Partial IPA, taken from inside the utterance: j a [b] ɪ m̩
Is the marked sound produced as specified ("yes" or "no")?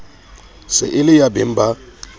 yes